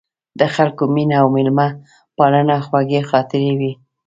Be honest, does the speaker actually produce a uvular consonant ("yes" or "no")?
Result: no